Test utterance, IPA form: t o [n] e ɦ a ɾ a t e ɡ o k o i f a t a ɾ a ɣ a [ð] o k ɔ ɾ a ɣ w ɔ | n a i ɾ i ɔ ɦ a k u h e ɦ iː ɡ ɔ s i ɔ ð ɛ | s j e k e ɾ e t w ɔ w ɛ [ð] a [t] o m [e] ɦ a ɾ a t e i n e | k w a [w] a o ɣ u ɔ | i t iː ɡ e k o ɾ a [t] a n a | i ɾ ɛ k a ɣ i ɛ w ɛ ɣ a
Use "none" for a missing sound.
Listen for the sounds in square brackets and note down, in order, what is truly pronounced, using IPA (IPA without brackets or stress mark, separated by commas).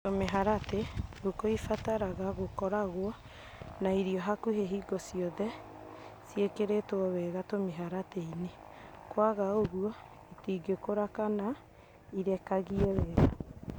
m, ɣ, ɣ, t, e, ɣ, k